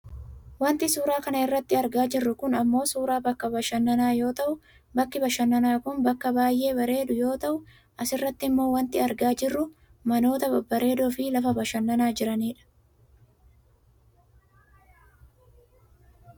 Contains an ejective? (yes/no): no